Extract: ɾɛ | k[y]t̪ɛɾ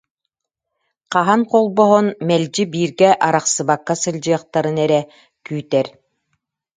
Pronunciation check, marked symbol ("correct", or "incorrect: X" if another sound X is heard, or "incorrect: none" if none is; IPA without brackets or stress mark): incorrect: yː